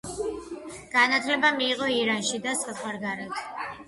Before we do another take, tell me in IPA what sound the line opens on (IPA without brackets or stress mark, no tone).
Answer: ɡ̥